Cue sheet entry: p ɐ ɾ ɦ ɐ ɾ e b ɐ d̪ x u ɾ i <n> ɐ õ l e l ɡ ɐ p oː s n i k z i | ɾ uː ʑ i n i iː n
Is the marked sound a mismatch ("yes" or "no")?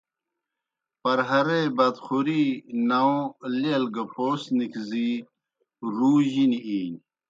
no